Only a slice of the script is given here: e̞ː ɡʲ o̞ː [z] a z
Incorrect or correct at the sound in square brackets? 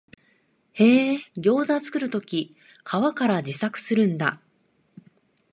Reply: correct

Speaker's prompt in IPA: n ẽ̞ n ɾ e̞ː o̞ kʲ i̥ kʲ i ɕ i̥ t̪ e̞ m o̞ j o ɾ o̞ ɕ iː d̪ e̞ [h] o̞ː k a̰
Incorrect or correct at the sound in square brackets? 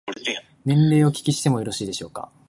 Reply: incorrect: ɕ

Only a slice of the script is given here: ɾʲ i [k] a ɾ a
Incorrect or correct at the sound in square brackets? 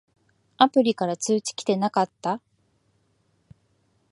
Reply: correct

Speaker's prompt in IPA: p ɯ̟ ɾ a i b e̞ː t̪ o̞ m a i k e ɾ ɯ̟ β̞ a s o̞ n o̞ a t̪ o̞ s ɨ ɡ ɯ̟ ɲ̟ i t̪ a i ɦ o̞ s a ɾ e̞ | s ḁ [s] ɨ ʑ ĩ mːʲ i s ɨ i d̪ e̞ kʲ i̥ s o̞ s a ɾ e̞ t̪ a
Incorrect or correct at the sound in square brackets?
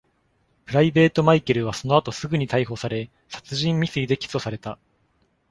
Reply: incorrect: t͡s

